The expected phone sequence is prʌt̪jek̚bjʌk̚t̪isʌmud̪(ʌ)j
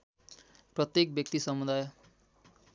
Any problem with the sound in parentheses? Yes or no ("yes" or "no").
yes